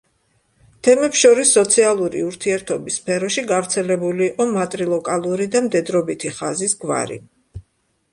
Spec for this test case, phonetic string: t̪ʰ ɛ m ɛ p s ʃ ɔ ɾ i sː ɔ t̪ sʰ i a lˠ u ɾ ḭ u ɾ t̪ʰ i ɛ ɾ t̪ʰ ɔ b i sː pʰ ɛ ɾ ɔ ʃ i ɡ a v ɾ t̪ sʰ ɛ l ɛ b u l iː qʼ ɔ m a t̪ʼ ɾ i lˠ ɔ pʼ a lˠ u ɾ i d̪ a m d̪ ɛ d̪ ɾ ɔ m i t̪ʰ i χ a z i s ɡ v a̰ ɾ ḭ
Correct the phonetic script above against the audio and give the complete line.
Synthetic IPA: t̪ʰ ɛ m ɛ p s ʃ ɔ ɾ i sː ɔ t̪ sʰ i a lˠ u ɾ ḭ u ɾ t̪ʰ i ɛ ɾ t̪ʰ ɔ b i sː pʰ ɛ ɾ ɔ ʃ i ɡ a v ɾ t̪ sʰ ɛ l ɛ b u l iː qʼ ɔ m a t̪ʼ ɾ i lˠ ɔ kʼ a lˠ u ɾ i d̪ a m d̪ ɛ d̪ ɾ ɔ b i t̪ʰ i χ a z i s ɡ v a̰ ɾ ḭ